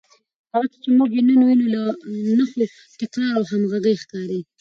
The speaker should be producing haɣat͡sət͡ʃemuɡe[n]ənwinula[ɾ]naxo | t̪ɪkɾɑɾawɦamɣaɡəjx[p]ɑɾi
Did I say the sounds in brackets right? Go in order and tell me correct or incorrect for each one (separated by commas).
correct, incorrect, incorrect